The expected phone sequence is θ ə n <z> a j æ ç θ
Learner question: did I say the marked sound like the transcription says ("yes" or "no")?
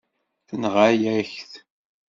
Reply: no